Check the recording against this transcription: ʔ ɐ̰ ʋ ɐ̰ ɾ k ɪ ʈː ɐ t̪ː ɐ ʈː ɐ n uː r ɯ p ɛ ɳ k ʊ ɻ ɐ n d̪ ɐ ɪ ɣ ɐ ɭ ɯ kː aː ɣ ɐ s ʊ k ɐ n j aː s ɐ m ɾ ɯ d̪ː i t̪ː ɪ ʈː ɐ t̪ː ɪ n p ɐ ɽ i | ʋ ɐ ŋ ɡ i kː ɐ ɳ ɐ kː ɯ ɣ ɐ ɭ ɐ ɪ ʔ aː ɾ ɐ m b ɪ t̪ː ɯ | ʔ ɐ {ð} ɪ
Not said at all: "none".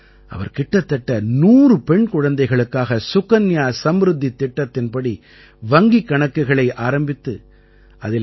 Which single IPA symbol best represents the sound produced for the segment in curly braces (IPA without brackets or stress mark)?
ð